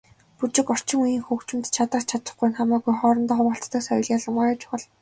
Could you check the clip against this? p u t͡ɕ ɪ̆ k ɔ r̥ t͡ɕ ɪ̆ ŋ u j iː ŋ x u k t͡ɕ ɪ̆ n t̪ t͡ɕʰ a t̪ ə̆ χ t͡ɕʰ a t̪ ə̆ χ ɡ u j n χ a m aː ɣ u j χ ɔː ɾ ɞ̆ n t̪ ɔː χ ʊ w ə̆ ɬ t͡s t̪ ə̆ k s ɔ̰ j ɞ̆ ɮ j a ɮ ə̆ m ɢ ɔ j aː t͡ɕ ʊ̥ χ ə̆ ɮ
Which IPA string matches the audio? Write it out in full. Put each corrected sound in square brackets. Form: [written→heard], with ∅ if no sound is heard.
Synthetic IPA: p u t͡ɕ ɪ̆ k ɔ r̥ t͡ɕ ɪ̆ ŋ u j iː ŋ x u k t͡ɕ ɪ̆ [n→m] t̪ t͡ɕʰ a t̪ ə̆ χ t͡ɕʰ a t̪ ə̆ χ ɡ u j n χ a m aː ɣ u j χ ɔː ɾ ɞ̆ n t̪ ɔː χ ʊ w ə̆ ɬ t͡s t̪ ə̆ k s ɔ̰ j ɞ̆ ɮ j a ɮ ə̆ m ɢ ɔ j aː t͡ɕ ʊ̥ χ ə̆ ɮ